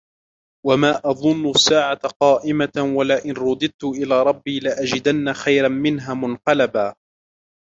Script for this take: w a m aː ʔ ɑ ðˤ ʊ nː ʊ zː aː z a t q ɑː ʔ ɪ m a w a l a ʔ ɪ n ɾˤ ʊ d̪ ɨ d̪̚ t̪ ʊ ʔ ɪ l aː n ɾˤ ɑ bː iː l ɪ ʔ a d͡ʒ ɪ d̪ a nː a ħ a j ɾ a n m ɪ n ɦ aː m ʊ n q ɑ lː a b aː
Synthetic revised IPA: w a m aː ʔ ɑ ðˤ ʊ nː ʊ sː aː ʕ a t q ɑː ʔ ɪ m a w a l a ʔ ɪ n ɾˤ ʊ d̪ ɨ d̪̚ t̪ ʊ ʔ ɪ l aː ɾˤ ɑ bː iː l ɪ ʔ a d͡ʒ ɪ d̪ a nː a x a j ɾ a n m ɪ n ɦ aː m ʊ n q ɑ l a b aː